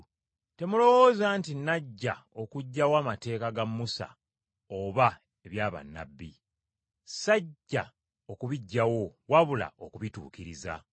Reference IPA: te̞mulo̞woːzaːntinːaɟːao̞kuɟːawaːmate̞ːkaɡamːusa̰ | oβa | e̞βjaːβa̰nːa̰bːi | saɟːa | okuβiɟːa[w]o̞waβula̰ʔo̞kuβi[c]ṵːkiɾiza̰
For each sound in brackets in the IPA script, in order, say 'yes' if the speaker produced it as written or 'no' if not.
yes, no

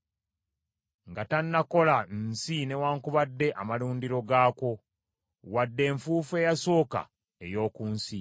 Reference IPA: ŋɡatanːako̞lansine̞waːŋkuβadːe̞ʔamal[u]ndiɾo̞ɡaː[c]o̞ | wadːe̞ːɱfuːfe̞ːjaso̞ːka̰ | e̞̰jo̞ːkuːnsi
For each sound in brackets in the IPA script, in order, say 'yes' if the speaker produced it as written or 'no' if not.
no, no

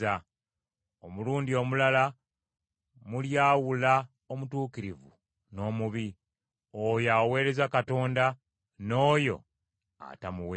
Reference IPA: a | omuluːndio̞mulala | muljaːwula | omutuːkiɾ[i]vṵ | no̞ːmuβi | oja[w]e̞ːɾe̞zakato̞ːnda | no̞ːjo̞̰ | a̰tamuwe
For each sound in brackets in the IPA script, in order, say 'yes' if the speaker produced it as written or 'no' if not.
yes, yes

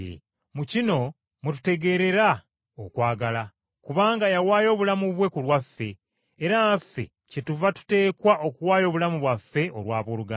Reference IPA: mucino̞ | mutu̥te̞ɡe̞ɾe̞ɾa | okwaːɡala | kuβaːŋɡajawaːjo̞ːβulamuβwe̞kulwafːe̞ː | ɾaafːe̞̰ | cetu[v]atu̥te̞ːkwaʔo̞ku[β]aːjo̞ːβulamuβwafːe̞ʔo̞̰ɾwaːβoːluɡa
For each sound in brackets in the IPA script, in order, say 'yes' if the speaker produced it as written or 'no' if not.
yes, no

